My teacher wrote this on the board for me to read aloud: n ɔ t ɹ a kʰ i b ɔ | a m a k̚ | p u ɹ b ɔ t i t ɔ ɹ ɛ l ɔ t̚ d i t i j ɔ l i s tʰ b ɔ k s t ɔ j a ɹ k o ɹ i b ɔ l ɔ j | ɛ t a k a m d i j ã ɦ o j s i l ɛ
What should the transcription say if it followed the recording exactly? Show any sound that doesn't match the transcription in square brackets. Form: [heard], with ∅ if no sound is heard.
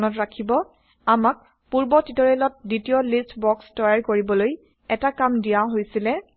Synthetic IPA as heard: n ɔ t ɹ a kʰ i b ɔ | a m a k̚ | p u ɹ b ɔ t i t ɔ ɹ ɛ l ɔ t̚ d i t i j ɔ l i s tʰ b ɔ k s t ɔ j a ɹ k o ɹ i b ɔ l [o] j | ɛ t a k a m d i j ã ɦ o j s i l ɛ